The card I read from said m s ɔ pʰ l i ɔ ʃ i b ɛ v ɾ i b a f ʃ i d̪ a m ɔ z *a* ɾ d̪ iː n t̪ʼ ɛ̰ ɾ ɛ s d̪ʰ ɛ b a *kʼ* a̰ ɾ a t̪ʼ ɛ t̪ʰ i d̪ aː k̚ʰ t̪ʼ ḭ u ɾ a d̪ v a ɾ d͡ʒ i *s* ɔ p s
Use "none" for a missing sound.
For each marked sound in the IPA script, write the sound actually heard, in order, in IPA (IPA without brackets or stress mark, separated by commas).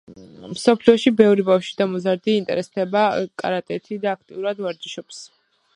a, kʼ, ʃ